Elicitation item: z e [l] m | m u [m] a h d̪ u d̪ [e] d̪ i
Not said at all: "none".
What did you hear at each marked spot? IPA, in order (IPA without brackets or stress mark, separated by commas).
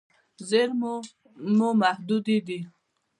ɾ, m, i